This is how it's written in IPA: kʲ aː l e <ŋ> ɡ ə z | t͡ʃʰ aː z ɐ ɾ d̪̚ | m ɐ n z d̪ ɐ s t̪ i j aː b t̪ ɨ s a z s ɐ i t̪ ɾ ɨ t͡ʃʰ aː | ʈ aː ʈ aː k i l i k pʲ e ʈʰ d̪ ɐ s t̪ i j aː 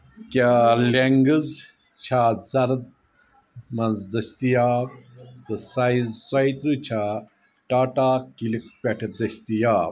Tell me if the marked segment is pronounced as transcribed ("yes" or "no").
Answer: yes